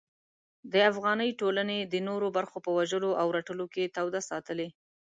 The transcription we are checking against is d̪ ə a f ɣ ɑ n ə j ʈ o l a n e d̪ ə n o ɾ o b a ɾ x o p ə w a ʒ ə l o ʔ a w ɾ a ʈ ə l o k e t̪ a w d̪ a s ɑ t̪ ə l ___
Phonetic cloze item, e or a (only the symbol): e